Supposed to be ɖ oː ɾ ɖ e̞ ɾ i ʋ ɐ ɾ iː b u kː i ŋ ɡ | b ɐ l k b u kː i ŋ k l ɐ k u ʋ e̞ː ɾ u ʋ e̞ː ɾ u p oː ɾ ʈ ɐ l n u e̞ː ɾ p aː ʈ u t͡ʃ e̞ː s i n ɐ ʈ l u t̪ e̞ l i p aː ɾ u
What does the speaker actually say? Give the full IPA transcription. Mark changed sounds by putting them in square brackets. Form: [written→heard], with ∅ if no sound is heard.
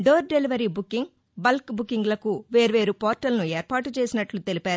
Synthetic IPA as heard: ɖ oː ɾ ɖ e̞ [ɾ→l] i ʋ ɐ ɾ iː b u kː i ŋ ɡ | b ɐ l k b u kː i ŋ [k→ɡ] l ɐ k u ʋ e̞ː ɾ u ʋ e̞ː ɾ u p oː ɾ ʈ ɐ l n u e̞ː ɾ p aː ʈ u t͡ʃ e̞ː s i n ɐ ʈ l u t̪ e̞ l i p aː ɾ u